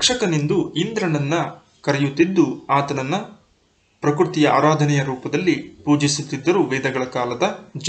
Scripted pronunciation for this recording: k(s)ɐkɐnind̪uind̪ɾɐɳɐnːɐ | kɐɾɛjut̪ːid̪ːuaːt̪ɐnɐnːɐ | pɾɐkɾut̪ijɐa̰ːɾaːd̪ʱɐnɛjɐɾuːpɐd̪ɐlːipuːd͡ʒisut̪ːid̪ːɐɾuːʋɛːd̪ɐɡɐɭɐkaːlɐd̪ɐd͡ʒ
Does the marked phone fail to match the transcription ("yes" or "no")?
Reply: yes